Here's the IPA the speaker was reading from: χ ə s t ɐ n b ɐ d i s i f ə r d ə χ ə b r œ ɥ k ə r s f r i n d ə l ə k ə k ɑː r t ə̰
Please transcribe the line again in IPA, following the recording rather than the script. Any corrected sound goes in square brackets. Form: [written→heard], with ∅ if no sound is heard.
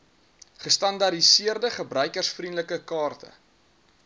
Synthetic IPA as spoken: χ ə s t ɐ n [b→d] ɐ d i s i [f→∅] ə r d ə χ ə b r œ ɥ k ə r s f r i n d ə l ə k ə k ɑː r t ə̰